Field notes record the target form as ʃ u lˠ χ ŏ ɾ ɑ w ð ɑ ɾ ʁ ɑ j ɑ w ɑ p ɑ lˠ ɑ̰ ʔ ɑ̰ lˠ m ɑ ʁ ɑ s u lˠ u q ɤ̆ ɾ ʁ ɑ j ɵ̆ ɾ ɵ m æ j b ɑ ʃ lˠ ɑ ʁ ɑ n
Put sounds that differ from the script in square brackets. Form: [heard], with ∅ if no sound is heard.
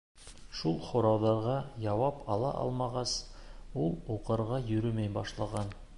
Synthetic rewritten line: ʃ u lˠ χ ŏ ɾ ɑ w ð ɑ ɾ ʁ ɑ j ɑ w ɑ p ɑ lˠ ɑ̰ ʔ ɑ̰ lˠ m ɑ ʁ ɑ s u lˠ u q ɤ̆ ɾ ʁ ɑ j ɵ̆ ɾ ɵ m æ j b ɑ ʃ lˠ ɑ ʁ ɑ n